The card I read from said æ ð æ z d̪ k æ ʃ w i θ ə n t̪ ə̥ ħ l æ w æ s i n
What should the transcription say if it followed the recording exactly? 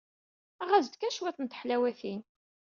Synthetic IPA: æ ʁ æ z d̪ k æ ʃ w æ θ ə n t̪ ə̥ ħ l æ w æ θ i n